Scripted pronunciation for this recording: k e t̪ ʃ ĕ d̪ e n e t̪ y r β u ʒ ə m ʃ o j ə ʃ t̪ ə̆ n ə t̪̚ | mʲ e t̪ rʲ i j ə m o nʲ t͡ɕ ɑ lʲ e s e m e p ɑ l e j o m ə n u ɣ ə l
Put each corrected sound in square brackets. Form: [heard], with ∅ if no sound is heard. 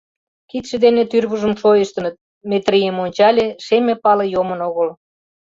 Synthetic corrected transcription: k [i] t̪ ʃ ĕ d̪ e n e t̪ y r β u ʒ ə m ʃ o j ə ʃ t̪ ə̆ n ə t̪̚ | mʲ e t̪ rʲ i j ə m o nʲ t͡ɕ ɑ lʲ e [ʃ] e m e p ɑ l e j o m ə n [o] ɣ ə l